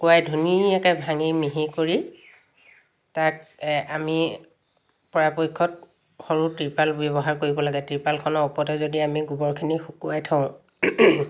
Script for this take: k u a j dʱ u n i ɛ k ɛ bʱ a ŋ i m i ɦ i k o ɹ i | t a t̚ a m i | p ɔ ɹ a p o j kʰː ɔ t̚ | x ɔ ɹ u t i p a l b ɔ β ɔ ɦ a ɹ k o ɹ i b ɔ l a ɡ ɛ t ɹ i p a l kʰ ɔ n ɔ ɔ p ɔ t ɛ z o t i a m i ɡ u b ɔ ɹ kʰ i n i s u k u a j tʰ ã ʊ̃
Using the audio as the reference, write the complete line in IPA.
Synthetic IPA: k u a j dʱ u n i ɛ k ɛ bʱ a ŋ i m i ɦ i k o ɹ i | t a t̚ a m i | p ɔ ɹ a p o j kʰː ɔ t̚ | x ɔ ɹ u t i p a l b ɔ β ɔ ɦ a ɹ k o ɹ i b ɔ l a ɡ ɛ t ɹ i p a l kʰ ɔ n ɔ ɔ p ɔ t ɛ z o d i a m i ɡ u b ɔ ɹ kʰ i n i x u k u a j tʰ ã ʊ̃